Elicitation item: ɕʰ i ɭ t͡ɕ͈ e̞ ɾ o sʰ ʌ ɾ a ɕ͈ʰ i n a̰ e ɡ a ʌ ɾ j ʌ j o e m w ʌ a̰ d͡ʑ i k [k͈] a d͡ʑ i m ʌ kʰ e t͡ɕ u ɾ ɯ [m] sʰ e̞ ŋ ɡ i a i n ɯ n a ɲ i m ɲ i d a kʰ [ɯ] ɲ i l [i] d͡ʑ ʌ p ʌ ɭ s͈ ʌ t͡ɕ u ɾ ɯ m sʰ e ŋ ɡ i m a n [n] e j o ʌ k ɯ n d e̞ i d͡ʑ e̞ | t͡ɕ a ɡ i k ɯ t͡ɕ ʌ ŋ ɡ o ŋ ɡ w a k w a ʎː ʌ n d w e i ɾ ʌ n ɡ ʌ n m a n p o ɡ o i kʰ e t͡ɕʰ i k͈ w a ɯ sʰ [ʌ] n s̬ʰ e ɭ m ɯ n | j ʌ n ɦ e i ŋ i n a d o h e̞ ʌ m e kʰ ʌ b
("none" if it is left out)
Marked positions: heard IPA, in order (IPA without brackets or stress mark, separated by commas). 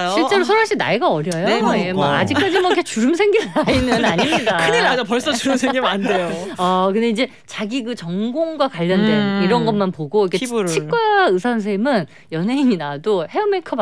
k͈, m, ɯ, a, d, a